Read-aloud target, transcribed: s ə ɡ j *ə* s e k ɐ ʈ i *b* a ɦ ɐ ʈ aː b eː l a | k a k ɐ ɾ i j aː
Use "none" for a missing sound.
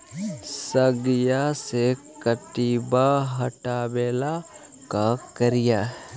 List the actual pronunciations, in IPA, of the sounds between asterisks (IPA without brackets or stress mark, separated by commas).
a, b